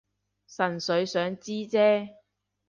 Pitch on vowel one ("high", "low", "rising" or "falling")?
low